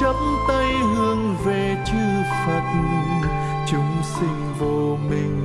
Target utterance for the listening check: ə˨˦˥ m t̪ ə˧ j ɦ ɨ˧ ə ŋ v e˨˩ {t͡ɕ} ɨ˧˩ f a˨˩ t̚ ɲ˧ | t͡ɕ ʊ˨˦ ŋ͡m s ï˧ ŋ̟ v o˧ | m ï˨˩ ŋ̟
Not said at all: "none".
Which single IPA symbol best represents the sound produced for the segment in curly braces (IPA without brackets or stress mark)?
t͡ɕ